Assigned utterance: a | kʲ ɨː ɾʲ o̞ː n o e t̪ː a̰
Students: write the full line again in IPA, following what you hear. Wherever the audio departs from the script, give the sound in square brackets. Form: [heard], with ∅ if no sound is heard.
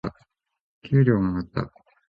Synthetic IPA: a | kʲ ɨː ɾʲ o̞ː [m] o [a] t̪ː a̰